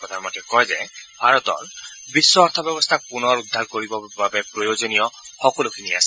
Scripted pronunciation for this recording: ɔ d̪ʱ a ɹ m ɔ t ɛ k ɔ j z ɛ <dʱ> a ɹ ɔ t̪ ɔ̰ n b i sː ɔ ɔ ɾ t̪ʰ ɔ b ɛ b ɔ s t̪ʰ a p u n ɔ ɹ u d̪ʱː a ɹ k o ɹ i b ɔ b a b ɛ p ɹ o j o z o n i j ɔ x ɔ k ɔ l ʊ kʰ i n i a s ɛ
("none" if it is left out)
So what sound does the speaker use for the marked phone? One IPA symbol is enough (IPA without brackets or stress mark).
bʱ